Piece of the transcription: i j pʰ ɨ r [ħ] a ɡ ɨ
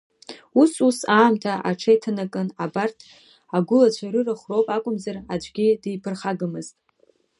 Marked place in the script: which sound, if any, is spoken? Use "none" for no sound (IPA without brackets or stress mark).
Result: χ